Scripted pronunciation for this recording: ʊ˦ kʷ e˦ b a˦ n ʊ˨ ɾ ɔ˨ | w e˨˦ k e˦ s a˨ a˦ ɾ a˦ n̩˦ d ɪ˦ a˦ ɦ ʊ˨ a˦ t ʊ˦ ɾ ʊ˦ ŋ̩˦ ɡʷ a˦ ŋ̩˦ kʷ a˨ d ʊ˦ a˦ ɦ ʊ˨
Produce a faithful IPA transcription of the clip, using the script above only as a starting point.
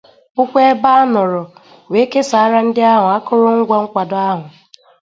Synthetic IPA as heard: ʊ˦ kʷ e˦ b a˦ n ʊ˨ ɾ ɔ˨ | w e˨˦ k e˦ s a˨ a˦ ɾ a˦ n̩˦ d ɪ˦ a˦ ɦ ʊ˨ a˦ k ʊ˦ ɾ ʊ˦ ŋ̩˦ ɡʷ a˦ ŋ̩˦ kʷ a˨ d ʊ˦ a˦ ɦ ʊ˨